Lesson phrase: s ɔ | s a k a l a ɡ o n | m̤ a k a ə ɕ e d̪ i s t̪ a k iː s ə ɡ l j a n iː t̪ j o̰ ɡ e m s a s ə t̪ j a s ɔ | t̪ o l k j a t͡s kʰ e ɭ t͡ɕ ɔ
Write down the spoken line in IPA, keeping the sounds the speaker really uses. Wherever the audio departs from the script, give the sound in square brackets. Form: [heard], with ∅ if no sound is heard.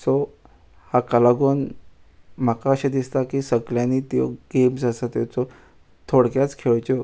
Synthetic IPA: s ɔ | [h] a k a l a ɡ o n | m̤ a k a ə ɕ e d̪ i s t̪ a k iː s ə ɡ l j a n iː t̪ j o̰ ɡ e m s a s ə t̪ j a [t͡s] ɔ | [t̪ʰ] o [ɽ] k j a t͡s kʰ e ɭ t͡ɕ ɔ